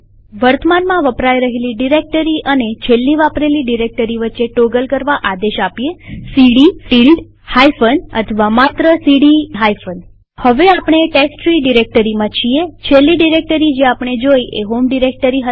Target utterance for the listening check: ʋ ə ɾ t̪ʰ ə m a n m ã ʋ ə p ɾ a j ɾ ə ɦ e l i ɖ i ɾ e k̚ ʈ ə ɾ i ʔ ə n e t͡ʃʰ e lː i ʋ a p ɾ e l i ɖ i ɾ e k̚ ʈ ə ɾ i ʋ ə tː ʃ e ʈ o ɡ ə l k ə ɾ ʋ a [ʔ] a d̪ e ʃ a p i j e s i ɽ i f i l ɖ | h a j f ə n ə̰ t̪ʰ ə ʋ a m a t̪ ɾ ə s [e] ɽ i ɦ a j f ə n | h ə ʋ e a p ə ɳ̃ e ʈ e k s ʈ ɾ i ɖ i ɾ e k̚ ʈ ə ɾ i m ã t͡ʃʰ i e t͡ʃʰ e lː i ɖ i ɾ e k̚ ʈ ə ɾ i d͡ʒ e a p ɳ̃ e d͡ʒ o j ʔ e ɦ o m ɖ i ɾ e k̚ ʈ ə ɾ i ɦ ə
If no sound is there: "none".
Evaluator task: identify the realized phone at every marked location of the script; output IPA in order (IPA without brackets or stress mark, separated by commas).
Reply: ʔ, i